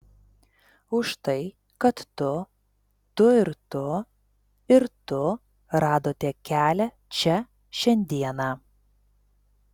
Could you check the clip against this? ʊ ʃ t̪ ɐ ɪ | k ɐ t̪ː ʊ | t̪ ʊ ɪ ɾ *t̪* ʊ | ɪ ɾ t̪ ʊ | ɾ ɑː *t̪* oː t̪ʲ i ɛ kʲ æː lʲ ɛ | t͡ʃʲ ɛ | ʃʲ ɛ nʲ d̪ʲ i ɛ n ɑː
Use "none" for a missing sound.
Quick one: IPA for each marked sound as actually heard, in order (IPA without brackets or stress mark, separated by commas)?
t̪, d̪